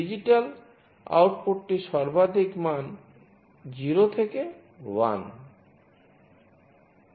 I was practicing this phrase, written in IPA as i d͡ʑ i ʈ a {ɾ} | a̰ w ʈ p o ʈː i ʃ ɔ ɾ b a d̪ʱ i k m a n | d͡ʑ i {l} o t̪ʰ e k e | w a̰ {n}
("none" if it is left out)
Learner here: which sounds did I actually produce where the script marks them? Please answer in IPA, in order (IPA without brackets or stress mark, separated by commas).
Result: l, ɾ, n